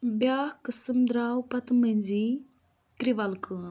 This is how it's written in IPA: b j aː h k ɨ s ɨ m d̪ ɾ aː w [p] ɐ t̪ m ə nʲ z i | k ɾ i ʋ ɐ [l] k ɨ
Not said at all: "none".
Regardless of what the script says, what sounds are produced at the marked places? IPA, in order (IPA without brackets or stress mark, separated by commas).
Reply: p, l